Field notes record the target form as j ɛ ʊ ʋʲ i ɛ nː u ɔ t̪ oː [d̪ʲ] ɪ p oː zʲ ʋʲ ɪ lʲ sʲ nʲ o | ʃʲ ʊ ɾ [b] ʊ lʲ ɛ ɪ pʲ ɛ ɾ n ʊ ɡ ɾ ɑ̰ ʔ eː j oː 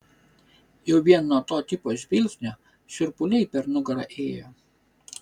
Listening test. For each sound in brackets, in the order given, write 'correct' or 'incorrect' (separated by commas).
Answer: incorrect, incorrect